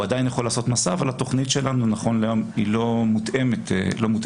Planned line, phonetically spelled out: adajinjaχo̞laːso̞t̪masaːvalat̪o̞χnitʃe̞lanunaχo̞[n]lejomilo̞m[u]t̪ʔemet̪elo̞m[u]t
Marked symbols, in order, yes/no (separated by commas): yes, yes, yes